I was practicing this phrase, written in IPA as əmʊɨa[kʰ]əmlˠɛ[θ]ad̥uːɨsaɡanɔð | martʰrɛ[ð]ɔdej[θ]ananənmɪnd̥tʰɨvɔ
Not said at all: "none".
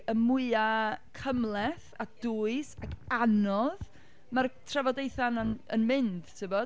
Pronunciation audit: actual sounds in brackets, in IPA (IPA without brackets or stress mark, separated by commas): kʰ, θ, v, θ